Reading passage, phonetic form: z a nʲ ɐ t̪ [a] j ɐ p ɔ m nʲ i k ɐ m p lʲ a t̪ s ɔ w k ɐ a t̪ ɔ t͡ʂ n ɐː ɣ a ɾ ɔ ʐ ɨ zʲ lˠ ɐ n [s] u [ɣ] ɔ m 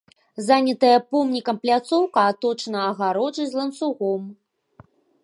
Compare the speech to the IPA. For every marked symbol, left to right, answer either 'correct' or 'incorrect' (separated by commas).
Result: incorrect, correct, correct